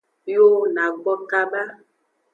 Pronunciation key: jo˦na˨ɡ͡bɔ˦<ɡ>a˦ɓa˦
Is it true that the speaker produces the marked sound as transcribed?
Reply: no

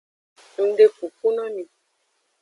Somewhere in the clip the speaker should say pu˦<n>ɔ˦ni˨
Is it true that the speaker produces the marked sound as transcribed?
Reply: yes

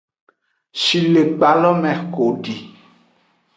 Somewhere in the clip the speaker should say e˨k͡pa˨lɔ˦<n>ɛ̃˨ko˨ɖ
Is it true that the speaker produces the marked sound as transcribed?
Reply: no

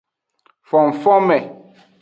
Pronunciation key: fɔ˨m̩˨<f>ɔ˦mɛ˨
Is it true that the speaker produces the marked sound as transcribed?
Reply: yes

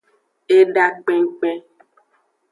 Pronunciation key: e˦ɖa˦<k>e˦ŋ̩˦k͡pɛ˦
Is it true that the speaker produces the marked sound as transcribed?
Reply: no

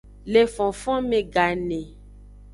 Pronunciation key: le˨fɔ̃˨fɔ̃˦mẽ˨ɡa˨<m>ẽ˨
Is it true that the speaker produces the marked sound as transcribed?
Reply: no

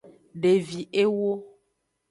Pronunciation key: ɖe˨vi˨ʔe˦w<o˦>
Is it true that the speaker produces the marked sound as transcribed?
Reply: yes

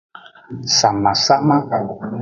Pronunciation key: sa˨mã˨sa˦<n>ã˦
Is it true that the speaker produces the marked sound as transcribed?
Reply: no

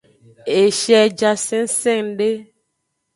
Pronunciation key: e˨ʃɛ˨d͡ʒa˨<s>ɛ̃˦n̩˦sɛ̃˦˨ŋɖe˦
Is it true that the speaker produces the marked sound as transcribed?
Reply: yes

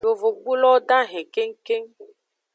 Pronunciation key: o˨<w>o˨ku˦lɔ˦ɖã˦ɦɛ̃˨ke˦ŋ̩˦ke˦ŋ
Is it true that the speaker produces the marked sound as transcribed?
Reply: no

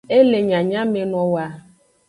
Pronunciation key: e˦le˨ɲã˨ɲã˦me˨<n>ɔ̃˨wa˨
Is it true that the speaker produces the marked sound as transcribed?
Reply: yes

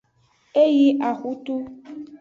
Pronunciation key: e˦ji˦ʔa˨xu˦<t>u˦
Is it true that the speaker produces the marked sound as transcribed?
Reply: yes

